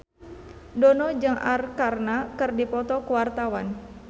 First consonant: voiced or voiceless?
voiced